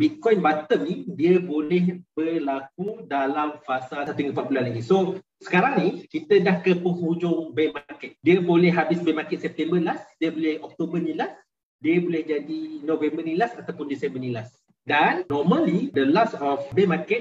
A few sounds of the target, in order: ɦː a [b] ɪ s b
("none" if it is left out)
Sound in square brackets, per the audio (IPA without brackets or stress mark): b